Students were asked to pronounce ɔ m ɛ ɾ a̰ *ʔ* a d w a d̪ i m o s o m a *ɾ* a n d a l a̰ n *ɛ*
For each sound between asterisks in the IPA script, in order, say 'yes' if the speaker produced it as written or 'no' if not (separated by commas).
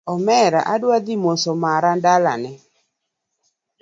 yes, yes, yes